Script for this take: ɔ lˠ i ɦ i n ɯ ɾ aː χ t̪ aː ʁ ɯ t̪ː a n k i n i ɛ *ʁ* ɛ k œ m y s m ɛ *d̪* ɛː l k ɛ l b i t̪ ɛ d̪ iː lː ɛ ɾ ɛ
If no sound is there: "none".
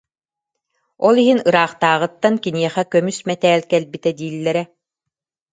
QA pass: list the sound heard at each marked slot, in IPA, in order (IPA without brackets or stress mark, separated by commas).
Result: χ, t̪